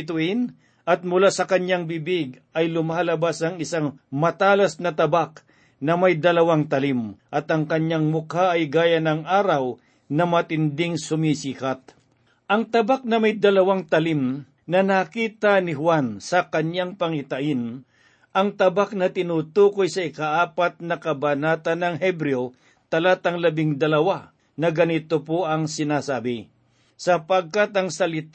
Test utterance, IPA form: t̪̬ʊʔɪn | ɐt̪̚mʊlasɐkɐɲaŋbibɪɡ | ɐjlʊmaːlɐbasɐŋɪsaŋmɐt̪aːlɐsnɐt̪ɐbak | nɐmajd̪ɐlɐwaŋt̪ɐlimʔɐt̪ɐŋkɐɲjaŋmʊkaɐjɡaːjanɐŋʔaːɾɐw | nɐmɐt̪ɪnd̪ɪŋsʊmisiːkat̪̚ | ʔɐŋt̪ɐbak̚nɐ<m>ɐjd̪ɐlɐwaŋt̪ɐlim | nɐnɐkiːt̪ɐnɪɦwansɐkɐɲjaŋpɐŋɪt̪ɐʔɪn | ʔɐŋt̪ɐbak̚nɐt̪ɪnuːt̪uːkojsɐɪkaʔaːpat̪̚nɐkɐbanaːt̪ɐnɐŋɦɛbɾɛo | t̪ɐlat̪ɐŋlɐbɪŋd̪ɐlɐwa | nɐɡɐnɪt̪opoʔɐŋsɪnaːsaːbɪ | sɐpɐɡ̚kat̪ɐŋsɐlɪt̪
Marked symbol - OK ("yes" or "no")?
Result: yes